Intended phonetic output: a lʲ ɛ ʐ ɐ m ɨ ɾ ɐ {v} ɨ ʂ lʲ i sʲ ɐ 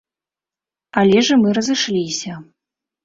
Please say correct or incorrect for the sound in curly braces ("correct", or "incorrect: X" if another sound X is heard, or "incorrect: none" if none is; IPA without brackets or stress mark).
incorrect: z